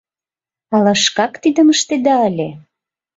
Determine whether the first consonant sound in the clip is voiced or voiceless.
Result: voiced